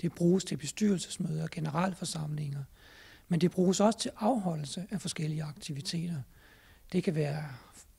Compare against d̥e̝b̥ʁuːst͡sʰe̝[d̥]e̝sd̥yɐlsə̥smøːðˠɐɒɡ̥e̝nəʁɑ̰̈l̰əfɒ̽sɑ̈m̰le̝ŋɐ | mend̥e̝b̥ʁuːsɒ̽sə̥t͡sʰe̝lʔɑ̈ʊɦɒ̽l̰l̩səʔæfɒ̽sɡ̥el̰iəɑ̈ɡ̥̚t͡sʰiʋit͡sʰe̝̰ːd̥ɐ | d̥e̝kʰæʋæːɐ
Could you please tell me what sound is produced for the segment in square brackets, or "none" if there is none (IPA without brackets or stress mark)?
b̥